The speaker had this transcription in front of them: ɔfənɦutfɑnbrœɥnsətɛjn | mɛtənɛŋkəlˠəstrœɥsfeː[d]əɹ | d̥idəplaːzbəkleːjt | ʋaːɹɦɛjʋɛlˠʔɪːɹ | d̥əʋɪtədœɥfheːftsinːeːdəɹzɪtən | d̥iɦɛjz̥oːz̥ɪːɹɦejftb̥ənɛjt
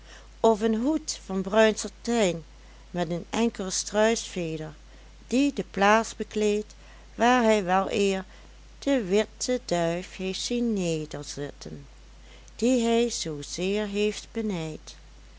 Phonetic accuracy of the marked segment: correct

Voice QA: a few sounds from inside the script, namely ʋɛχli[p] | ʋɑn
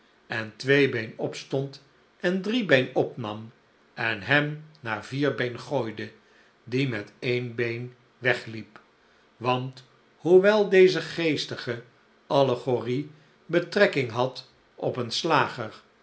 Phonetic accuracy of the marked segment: correct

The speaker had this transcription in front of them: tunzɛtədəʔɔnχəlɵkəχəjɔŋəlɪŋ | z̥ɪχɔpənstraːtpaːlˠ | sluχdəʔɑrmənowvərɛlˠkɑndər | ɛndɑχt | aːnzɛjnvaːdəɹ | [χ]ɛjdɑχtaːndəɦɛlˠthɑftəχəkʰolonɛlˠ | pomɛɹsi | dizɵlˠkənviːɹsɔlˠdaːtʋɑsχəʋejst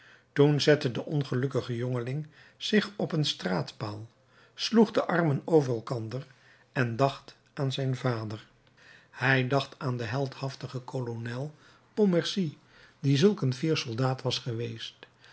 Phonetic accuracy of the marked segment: incorrect: h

